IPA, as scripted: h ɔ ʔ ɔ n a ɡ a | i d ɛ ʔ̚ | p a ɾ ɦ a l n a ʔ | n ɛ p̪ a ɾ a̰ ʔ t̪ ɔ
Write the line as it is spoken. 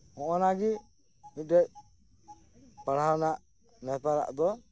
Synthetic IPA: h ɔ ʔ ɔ n a ɡ i | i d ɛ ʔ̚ | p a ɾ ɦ a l n a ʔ | n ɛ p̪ a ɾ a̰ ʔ d̪ ɔ